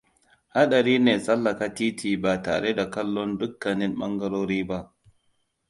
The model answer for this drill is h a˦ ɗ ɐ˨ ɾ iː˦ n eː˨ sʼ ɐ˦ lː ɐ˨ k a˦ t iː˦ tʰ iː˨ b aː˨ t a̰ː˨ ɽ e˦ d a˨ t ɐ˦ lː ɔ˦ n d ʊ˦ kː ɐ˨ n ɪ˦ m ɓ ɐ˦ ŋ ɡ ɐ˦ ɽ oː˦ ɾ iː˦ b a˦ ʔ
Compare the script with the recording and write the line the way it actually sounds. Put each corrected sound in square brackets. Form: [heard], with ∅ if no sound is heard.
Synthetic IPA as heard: h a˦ ɗ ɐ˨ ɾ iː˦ n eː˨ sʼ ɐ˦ lː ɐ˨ k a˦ t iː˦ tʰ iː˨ b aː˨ t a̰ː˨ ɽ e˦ d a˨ [k] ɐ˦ lː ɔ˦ n d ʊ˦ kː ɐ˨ n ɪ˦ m ɓ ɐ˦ ŋ ɡ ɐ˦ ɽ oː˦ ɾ iː˦ b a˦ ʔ